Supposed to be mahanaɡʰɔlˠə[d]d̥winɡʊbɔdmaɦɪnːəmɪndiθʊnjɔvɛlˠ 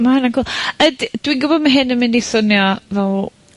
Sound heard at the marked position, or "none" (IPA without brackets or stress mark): d